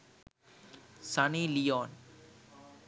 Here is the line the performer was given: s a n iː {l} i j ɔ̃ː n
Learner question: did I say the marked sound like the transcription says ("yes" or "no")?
yes